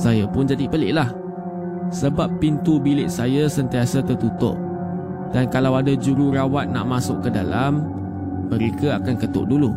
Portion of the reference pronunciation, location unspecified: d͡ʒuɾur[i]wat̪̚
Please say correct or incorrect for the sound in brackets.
incorrect